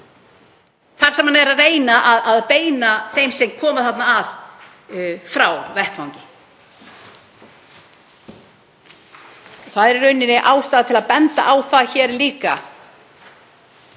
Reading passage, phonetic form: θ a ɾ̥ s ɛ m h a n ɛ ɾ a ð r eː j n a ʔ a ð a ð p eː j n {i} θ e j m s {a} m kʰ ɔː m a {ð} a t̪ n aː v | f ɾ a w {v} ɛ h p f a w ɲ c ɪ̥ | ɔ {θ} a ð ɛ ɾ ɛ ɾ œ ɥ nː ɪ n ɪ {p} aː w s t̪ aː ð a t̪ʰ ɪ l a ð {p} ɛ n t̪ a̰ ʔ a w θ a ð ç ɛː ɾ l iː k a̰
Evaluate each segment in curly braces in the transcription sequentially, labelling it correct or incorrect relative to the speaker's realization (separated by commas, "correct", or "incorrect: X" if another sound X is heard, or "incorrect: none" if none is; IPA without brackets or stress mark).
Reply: incorrect: a, incorrect: ɛ, incorrect: θ, correct, correct, incorrect: ʔ, correct